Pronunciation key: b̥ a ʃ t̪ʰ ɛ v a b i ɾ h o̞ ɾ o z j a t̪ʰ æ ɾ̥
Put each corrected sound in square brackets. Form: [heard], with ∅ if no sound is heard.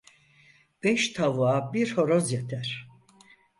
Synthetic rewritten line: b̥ [ɛ] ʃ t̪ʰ [a] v a b i ɾ h o̞ ɾ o z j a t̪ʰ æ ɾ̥